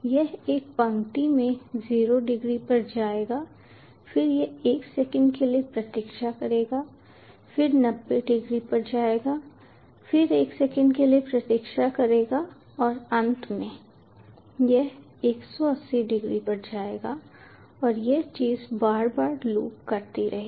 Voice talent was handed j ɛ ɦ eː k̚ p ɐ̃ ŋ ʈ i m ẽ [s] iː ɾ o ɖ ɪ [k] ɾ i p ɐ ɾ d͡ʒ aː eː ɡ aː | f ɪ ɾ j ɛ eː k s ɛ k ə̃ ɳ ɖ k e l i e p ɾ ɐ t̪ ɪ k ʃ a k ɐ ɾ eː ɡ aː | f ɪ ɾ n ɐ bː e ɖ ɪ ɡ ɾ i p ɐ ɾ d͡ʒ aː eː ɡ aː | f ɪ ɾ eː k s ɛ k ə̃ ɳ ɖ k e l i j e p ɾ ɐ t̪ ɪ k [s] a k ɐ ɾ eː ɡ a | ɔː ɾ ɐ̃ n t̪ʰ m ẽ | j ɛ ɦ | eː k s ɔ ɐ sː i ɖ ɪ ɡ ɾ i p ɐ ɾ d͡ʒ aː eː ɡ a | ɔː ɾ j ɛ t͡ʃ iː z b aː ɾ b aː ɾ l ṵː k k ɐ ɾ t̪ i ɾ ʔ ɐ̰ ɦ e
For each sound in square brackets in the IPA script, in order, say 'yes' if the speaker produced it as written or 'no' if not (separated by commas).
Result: no, no, no